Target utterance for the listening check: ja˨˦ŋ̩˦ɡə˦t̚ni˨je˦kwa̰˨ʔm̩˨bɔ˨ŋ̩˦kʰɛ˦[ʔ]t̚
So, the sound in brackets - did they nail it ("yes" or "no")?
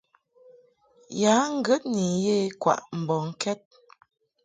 no